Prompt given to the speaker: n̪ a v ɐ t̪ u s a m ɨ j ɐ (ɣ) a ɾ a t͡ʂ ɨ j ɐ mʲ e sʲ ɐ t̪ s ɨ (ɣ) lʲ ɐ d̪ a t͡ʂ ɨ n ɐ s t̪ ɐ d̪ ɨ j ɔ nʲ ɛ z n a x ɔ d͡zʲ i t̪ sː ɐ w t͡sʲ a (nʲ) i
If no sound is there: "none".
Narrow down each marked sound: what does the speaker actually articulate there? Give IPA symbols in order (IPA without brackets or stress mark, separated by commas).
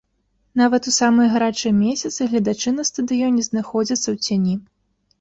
ɣ, ɣ, nʲ